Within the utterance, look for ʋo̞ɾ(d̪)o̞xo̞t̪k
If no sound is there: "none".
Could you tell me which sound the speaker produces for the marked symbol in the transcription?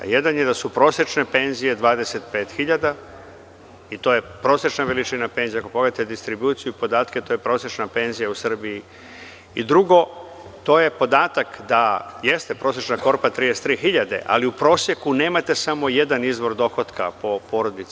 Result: d̪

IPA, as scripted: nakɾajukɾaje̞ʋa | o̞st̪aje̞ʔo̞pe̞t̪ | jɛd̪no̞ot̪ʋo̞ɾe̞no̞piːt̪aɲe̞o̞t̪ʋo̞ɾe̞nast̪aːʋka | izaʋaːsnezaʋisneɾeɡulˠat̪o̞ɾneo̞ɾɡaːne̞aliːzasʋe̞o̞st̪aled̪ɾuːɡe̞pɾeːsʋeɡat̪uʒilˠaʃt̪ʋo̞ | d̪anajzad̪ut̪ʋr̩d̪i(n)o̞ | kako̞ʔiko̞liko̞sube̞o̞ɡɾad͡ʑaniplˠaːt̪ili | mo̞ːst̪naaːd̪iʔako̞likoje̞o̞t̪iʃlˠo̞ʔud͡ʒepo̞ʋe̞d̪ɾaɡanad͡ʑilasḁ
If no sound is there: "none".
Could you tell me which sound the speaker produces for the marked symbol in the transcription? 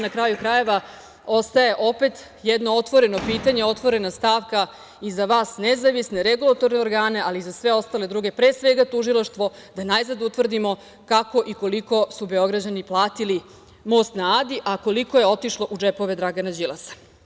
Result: m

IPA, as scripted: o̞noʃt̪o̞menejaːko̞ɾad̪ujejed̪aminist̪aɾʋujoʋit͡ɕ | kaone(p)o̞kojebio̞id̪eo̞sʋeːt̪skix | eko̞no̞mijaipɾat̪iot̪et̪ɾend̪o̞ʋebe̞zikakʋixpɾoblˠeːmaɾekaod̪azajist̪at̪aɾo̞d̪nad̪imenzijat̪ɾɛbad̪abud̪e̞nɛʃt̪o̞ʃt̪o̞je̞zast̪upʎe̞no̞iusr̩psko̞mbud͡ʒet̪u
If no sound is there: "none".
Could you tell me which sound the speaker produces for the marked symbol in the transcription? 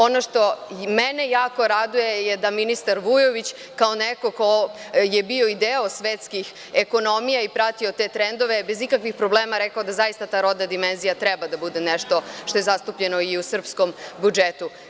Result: k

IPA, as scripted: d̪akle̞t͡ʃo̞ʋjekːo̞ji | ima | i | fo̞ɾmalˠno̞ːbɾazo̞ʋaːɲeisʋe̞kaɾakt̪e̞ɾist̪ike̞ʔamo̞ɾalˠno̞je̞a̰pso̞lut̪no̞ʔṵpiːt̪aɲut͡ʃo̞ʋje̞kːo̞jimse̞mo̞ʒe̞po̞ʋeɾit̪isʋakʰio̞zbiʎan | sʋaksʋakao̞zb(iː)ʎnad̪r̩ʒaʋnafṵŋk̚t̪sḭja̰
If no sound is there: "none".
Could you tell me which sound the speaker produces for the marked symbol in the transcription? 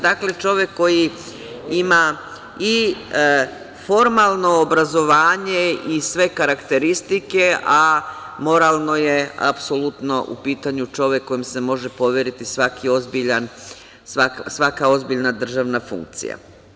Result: i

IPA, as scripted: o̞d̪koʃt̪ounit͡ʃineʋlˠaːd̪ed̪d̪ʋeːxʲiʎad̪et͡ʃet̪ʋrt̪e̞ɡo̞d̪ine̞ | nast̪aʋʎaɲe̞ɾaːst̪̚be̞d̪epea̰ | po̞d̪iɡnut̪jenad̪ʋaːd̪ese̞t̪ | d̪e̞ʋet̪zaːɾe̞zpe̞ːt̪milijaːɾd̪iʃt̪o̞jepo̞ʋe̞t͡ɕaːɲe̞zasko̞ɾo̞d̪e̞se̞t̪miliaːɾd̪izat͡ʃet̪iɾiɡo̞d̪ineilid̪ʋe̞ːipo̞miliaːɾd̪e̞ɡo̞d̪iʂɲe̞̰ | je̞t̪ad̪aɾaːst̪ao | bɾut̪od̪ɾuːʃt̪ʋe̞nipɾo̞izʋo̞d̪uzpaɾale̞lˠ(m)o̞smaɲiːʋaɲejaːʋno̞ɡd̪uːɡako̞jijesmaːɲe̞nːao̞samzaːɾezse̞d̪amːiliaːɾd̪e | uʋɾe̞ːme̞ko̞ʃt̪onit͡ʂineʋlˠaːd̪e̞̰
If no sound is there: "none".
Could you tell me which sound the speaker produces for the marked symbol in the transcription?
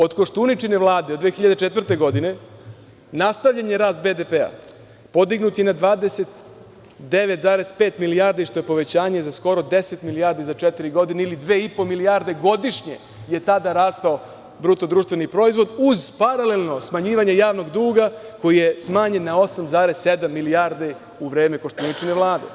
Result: n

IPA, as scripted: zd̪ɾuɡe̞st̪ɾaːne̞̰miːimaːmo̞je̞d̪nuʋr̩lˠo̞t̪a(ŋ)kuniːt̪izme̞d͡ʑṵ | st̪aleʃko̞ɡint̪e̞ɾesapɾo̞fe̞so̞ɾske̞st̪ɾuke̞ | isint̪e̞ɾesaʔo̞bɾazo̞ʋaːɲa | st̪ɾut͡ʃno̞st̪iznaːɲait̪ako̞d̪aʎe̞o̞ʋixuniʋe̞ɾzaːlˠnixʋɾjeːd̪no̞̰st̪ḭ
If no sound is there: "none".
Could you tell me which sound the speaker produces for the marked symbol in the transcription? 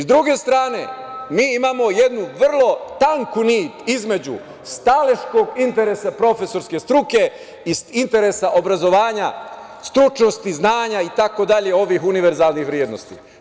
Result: ŋ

